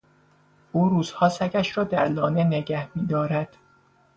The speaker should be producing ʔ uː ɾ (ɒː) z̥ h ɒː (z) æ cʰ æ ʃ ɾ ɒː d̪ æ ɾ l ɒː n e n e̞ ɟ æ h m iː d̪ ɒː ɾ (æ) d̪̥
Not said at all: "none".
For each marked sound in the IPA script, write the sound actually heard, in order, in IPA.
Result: uː, s, æ

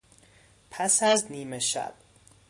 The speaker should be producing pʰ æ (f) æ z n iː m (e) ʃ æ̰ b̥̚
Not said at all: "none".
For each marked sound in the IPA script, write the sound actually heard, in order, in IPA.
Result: s, e

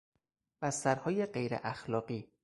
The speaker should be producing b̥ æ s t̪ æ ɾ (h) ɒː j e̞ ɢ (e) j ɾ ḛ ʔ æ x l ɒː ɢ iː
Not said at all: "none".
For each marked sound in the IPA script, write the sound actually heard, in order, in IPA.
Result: h, e

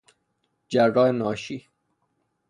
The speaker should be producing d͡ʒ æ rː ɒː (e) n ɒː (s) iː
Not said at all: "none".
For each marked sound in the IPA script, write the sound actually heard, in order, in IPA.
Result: e, ʃ

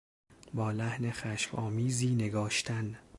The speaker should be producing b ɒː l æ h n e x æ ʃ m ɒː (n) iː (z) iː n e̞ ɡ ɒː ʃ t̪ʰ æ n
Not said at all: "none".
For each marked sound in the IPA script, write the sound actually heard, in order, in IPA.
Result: m, z

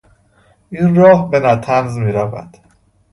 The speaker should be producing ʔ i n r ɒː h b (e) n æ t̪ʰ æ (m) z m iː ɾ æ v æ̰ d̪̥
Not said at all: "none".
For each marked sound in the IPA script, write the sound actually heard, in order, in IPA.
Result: e, n

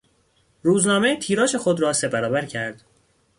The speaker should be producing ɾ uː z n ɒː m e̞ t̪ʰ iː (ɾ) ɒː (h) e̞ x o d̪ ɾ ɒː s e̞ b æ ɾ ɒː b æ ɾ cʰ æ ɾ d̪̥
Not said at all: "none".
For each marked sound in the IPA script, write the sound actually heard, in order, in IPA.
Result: ɾ, ʃ

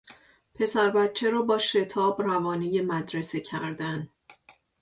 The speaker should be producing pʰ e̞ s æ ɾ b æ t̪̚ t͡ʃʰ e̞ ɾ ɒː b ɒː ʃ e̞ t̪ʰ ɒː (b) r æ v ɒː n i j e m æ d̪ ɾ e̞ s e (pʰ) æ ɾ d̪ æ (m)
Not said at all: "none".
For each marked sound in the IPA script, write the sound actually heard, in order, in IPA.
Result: b, cʰ, n

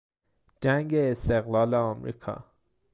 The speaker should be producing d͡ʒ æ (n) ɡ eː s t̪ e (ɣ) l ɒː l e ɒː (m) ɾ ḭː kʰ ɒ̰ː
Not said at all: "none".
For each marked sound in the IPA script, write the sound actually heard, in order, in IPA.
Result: ŋ, ɣ, m

